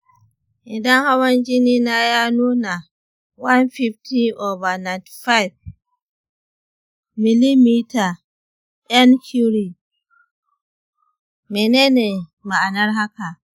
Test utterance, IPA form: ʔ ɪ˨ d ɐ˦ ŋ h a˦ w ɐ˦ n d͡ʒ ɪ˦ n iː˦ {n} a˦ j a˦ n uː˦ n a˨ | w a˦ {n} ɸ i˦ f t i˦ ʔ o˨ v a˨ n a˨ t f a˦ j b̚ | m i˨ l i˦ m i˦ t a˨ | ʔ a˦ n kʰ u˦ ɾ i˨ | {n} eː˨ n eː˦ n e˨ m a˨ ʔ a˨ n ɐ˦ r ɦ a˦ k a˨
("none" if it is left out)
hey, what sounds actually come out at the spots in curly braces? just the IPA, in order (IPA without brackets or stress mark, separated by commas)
n, n, m